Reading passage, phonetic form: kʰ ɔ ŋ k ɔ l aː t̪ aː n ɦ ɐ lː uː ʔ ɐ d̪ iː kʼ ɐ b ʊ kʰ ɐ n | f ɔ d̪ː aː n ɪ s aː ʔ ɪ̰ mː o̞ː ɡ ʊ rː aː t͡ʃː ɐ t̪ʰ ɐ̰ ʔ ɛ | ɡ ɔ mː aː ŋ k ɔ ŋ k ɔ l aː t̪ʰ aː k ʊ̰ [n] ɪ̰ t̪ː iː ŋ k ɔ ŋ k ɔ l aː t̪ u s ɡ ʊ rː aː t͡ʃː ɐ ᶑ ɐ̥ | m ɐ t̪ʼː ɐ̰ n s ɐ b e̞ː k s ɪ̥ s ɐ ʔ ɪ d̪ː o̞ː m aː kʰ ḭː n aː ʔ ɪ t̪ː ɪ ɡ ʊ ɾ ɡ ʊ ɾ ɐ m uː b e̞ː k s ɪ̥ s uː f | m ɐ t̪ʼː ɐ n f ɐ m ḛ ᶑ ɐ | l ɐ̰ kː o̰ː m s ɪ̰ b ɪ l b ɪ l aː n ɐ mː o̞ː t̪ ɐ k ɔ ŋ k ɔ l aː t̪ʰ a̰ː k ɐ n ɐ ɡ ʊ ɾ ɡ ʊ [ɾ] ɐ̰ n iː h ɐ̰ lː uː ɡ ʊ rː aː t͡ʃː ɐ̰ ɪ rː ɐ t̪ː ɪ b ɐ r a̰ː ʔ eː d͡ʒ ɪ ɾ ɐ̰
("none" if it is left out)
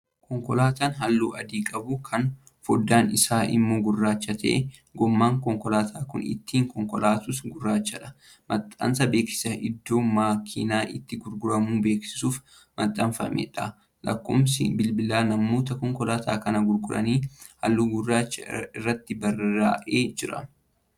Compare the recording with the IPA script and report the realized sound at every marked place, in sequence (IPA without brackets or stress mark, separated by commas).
n, ɾ